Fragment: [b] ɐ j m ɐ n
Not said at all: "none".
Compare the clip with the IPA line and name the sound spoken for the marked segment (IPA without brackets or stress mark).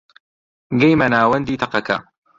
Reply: ɡ